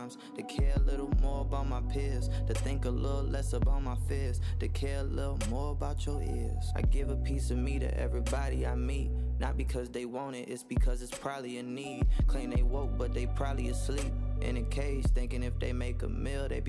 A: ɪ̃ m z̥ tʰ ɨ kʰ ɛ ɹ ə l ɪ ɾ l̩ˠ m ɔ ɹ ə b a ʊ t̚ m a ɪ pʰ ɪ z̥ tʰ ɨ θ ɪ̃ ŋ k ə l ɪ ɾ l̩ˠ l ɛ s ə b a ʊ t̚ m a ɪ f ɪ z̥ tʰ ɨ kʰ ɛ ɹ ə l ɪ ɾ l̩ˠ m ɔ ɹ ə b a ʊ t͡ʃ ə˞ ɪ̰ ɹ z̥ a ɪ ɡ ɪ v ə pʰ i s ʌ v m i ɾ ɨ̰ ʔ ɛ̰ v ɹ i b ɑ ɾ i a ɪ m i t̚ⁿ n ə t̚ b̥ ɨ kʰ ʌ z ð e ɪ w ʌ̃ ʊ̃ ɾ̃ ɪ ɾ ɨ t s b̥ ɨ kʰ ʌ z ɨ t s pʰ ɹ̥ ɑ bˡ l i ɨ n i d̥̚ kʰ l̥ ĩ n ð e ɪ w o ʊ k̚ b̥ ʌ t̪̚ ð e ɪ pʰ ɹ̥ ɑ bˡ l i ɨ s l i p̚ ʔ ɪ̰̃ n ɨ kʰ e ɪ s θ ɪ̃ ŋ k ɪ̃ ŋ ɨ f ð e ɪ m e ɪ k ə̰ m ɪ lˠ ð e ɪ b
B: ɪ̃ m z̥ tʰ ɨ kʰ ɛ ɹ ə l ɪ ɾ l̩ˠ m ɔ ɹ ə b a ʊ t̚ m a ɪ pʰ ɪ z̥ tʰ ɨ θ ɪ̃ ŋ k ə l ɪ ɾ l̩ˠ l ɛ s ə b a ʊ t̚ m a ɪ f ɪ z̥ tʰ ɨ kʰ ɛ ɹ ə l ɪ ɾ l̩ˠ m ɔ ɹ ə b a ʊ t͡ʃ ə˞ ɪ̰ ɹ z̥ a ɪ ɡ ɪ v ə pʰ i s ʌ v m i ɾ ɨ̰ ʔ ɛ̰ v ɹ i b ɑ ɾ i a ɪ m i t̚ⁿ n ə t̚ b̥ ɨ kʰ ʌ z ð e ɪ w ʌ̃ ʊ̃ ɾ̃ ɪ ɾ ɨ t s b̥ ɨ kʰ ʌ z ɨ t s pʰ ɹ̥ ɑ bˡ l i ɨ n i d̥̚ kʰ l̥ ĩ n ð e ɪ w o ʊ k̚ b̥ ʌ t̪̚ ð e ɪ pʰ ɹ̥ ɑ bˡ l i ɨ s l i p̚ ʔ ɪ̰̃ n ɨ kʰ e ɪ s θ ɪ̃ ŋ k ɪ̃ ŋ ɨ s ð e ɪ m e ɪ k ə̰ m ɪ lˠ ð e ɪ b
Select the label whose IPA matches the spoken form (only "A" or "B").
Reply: A